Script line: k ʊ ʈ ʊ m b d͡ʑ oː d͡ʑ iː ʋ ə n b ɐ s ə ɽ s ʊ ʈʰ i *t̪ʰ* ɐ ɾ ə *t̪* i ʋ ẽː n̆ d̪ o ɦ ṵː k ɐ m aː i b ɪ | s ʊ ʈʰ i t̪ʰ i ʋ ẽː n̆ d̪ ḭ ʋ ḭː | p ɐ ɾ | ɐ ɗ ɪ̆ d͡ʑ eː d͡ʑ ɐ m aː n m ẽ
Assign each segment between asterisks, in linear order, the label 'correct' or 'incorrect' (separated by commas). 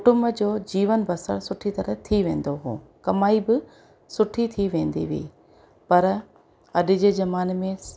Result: incorrect, incorrect